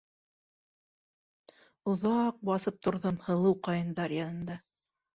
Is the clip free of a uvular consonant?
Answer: no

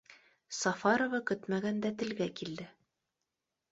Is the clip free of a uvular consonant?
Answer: yes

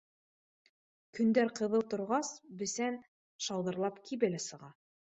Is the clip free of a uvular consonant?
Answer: no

